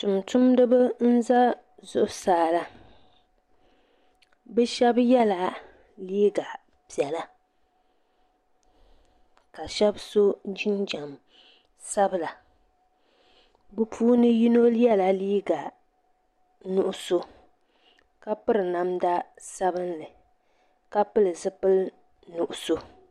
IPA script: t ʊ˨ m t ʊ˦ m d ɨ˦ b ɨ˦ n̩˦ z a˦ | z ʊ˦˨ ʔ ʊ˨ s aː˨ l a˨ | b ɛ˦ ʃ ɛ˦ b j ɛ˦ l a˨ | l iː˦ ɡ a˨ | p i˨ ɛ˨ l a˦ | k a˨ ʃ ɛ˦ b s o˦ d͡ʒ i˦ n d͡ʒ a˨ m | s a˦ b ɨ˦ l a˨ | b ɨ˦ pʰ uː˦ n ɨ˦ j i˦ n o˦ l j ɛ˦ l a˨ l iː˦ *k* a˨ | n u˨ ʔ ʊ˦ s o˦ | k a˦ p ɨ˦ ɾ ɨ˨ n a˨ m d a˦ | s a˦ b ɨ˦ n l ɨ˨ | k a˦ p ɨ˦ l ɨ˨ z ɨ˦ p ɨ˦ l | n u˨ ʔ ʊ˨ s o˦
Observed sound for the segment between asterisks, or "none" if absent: ɡ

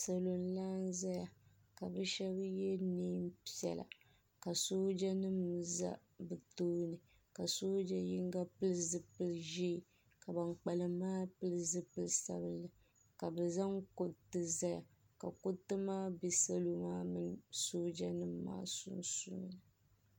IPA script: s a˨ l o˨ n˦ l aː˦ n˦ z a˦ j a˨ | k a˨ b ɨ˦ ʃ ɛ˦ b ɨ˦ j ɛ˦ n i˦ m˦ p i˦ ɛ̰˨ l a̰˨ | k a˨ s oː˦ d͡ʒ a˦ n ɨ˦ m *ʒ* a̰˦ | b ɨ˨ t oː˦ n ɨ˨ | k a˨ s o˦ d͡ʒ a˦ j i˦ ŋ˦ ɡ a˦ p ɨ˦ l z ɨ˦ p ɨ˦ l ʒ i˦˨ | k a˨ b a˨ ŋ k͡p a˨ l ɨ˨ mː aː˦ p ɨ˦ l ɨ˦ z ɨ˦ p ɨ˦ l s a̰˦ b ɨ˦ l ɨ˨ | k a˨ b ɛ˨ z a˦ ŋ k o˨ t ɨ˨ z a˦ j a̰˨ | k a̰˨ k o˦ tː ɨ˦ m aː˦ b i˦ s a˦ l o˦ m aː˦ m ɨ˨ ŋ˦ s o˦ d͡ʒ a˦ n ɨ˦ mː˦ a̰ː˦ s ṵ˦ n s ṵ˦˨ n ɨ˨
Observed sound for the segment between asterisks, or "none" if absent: z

